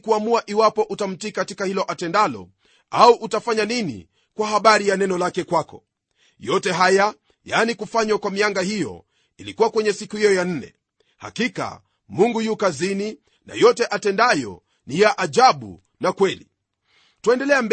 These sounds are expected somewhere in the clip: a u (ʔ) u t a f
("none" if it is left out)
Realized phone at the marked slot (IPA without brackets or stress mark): ʔ